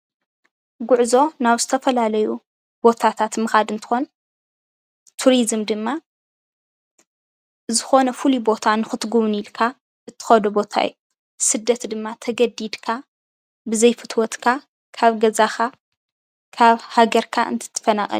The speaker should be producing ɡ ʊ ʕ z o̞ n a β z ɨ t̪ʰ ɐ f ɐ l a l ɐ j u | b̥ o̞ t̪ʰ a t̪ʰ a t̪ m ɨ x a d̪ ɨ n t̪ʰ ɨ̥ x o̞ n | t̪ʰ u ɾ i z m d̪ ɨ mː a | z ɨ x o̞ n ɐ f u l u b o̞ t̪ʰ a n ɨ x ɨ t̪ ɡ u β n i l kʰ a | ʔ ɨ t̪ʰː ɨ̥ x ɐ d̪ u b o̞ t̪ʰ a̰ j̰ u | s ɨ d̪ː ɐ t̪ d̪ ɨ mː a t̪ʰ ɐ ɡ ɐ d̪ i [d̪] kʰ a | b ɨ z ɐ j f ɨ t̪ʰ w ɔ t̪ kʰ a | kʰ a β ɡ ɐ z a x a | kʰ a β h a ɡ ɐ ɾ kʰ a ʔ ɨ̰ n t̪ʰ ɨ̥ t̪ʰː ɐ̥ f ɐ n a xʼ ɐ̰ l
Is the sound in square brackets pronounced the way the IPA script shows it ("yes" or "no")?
yes